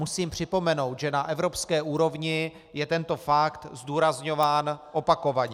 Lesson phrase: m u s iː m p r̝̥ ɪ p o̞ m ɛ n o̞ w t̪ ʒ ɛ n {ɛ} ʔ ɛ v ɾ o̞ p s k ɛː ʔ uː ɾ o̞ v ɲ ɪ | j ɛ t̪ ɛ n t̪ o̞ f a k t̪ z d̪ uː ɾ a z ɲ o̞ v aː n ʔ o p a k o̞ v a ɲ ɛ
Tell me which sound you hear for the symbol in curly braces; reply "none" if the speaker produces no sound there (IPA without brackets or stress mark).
a